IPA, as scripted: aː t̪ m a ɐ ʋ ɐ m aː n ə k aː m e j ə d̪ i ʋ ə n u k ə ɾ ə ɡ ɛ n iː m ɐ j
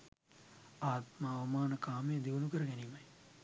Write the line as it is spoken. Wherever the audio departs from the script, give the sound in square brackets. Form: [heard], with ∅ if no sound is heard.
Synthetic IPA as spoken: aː t̪ m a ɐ ʋ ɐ m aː n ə k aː m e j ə d̪ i ʋ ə n u k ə ɾ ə ɡ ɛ n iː m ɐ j